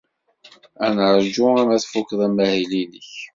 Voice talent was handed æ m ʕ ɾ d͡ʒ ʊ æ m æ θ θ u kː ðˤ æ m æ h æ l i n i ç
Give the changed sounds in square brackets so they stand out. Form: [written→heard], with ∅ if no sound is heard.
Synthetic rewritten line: æ [m→n] ʕ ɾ d͡ʒ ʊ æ m æ θ [θ→f] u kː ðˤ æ m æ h [æ→i] l i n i ç